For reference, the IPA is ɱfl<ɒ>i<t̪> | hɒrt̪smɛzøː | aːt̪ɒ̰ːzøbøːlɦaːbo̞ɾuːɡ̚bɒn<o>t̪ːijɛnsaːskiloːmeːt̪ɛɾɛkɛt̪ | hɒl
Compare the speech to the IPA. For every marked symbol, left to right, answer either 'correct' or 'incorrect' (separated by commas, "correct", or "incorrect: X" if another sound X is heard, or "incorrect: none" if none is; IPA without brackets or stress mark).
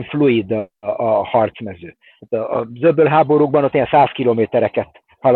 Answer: incorrect: u, incorrect: d̪, correct